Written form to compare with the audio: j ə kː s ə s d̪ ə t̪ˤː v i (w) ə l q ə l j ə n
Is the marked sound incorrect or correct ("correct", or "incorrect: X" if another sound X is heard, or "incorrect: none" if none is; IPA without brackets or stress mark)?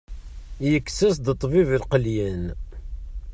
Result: incorrect: v